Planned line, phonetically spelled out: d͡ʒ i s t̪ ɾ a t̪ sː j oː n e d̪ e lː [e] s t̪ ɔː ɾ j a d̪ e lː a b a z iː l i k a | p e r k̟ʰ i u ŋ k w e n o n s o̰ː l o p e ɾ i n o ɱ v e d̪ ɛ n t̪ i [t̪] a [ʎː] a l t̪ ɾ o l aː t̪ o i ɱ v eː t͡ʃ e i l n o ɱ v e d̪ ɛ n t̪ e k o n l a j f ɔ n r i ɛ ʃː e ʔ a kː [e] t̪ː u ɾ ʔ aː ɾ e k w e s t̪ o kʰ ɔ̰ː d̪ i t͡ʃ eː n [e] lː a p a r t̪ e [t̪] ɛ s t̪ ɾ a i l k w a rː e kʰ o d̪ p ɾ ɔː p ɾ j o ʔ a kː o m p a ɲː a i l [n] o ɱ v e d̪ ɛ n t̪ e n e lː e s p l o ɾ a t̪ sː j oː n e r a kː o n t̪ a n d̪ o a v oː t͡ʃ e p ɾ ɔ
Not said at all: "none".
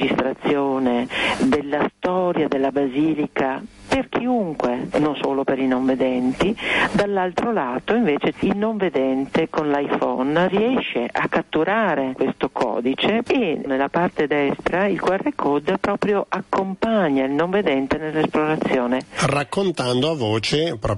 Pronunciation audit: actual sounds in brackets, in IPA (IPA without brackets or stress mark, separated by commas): a, d̪, lː, a, e, d̪, n